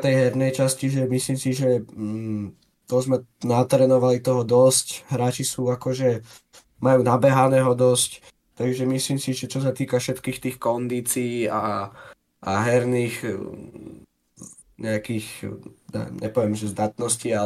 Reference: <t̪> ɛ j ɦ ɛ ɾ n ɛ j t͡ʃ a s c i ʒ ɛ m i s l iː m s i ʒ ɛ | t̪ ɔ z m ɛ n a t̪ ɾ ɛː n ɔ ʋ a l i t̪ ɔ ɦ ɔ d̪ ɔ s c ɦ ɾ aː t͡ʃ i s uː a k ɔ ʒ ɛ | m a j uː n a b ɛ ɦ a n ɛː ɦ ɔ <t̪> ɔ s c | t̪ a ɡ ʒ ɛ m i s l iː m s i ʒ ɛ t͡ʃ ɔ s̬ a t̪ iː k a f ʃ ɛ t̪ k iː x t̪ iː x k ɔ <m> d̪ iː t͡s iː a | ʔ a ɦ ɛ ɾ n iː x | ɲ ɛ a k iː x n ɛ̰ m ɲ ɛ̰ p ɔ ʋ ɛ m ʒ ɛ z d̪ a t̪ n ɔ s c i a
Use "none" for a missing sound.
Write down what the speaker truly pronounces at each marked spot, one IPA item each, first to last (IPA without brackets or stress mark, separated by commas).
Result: t̪, d̪, n